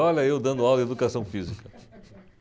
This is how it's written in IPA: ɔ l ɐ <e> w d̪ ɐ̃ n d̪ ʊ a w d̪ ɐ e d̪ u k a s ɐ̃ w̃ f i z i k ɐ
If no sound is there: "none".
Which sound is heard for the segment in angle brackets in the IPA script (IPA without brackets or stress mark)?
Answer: e